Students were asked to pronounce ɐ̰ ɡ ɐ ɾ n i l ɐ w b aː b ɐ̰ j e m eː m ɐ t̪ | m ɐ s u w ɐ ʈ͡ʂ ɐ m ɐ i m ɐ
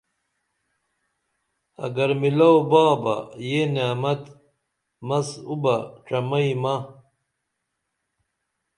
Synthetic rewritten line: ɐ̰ ɡ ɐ ɾ m i l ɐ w b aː b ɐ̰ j e n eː m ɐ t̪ | m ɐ s u b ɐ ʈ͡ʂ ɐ m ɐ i m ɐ